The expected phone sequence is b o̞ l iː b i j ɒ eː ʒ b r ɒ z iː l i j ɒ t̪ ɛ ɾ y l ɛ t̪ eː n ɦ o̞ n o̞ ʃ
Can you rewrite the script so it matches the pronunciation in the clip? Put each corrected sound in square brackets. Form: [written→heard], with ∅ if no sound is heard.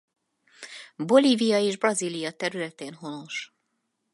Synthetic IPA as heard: b o̞ l iː [b→v] i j ɒ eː ʒ b r ɒ z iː l i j ɒ t̪ ɛ ɾ y l ɛ t̪ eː n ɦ o̞ n o̞ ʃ

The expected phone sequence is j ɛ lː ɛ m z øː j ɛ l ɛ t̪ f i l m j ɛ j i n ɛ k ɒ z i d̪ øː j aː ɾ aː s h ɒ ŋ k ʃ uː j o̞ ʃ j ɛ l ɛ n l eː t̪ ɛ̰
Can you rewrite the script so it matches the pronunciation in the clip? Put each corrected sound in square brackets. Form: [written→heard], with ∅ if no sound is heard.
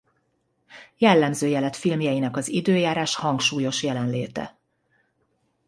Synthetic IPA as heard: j ɛ lː ɛ m z øː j ɛ l ɛ t̪ f i l m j ɛ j i n ɛ k ɒ z i d̪ øː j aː ɾ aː [s→ʃ] h ɒ ŋ k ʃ uː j o̞ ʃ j ɛ l ɛ n l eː t̪ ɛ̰

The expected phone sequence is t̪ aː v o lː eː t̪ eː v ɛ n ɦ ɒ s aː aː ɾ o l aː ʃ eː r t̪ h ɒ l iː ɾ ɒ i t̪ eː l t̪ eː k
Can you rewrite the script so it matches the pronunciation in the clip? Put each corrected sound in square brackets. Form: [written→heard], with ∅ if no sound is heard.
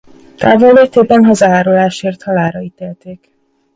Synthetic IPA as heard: t̪ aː v o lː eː t̪ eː [v→b] ɛ n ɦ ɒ [s→z] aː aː ɾ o l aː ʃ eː r t̪ h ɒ l [iː→aː] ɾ ɒ i t̪ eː l t̪ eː k

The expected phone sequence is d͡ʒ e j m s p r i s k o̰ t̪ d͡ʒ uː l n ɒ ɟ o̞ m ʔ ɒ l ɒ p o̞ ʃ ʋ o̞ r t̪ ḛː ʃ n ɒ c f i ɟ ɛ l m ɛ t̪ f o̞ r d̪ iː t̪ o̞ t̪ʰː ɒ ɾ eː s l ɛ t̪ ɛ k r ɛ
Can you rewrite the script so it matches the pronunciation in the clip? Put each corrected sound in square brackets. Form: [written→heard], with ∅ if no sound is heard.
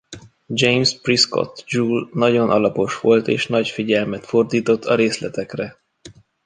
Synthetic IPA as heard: d͡ʒ e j m s p r i s k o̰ t̪ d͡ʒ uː l n ɒ ɟ o̞ [m→n] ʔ ɒ l ɒ p o̞ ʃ ʋ o̞ [r→l] t̪ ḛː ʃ n ɒ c f i ɟ ɛ l m ɛ t̪ f o̞ r d̪ iː t̪ o̞ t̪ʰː ɒ ɾ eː s l ɛ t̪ ɛ k r ɛ

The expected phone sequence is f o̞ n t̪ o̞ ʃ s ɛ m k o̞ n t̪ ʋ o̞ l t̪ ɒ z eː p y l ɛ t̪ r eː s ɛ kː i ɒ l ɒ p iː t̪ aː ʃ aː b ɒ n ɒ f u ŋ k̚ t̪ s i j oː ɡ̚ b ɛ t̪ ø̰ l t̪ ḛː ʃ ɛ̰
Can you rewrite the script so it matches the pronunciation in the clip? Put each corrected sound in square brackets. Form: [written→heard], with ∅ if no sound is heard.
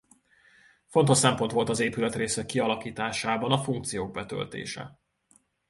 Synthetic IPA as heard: f o̞ n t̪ o̞ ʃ s ɛ m [k→p] o̞ n t̪ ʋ o̞ l t̪ ɒ z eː p y l ɛ t̪ r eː s ɛ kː i ɒ l ɒ [p→k] iː t̪ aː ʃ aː b ɒ n ɒ f u ŋ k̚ t̪ s i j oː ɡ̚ b ɛ t̪ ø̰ l t̪ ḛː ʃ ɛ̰

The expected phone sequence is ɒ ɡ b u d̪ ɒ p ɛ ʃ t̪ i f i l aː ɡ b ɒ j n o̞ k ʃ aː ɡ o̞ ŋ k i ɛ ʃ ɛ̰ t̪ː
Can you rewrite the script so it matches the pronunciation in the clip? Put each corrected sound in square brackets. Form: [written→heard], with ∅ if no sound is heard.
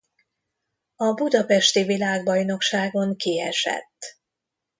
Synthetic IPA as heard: ɒ [ɡ→∅] b u d̪ ɒ p ɛ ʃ t̪ i [f→v] i l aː ɡ b ɒ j n o̞ k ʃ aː ɡ o̞ ŋ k i ɛ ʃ ɛ̰ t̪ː

